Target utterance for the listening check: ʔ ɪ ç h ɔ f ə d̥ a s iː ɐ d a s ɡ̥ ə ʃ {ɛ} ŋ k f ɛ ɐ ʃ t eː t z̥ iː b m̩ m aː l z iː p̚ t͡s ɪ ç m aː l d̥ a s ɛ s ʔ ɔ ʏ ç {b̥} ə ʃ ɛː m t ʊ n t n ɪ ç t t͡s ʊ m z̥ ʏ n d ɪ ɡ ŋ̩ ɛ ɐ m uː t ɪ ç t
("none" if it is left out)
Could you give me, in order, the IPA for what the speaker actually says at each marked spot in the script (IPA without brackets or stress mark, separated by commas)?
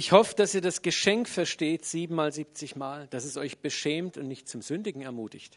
ɛ, b̥